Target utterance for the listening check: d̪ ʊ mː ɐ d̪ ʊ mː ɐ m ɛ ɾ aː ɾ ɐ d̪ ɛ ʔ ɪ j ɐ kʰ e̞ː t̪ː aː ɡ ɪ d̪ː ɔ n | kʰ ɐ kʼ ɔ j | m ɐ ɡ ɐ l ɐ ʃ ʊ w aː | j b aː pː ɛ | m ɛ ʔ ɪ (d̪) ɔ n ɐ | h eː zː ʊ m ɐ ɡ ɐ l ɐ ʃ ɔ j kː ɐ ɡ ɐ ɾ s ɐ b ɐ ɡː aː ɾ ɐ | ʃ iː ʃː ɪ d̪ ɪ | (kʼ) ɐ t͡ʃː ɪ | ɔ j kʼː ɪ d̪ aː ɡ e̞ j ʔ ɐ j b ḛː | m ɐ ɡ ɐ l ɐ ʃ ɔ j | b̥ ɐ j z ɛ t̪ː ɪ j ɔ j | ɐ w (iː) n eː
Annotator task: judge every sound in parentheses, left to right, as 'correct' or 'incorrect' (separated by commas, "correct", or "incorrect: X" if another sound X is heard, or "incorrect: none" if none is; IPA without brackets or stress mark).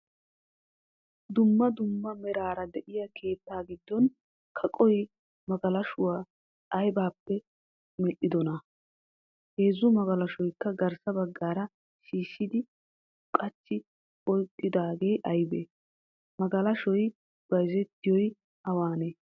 correct, correct, incorrect: aː